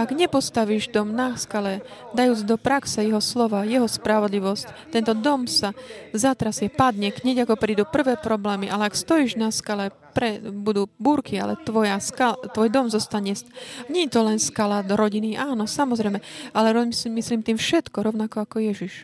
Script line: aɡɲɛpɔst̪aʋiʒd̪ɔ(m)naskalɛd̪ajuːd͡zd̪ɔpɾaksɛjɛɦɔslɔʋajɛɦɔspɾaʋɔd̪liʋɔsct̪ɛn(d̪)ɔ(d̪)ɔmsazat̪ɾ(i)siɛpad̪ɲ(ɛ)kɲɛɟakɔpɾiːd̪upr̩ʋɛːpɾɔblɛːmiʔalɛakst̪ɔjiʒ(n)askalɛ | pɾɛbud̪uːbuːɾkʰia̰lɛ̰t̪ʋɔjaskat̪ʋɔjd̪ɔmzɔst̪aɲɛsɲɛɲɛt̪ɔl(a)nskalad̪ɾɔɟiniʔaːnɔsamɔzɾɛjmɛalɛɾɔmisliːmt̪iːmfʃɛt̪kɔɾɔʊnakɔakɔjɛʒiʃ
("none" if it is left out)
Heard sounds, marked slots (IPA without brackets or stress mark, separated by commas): m, t̪, d̪, a, ɛ, n, ɛ